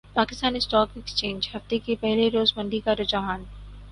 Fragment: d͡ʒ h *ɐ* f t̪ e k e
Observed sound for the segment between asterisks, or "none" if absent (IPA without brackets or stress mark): ɐ